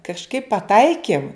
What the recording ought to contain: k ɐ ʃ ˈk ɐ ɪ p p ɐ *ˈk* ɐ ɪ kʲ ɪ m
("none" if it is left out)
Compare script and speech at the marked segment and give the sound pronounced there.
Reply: t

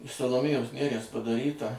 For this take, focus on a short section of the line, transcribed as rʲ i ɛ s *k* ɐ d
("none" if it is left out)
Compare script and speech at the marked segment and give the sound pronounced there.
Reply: p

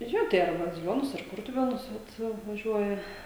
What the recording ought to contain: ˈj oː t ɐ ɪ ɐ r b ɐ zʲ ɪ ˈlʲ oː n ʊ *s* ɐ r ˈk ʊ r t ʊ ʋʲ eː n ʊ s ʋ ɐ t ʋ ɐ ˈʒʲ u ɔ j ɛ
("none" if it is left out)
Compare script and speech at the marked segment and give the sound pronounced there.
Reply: s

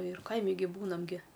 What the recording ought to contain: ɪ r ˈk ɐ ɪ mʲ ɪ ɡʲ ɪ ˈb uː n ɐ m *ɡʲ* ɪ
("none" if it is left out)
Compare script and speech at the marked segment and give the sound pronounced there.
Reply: ɡʲ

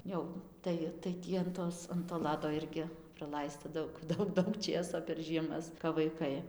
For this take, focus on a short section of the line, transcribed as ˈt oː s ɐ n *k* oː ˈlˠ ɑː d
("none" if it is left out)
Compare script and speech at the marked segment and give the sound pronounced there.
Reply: t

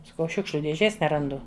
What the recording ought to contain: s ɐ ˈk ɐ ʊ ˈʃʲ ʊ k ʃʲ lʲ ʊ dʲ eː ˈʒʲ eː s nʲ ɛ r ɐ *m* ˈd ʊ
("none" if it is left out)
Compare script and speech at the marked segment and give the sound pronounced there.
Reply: n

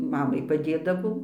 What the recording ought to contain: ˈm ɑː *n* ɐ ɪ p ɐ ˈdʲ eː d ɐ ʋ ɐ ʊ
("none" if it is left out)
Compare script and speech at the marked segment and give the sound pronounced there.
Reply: m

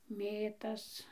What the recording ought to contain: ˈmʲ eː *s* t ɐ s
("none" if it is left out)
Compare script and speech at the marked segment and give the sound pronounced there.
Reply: none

